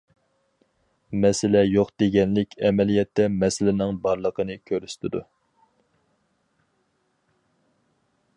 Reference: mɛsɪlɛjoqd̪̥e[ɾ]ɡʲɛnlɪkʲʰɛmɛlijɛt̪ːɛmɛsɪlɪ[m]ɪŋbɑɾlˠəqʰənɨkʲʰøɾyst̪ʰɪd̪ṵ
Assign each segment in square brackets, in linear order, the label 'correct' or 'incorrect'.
incorrect: none, incorrect: n

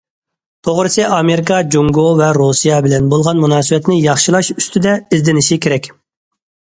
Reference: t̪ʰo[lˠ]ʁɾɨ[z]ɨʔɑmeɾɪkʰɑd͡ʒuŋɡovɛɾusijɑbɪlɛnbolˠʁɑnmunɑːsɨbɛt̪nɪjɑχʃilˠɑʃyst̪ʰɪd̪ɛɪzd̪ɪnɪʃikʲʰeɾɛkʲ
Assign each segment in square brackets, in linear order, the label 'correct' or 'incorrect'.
incorrect: none, incorrect: s

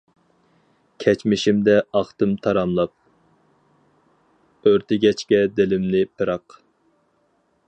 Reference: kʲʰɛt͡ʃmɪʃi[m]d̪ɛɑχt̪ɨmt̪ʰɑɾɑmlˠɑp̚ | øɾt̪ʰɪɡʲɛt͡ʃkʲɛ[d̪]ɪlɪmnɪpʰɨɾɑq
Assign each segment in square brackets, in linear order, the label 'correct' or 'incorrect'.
correct, correct

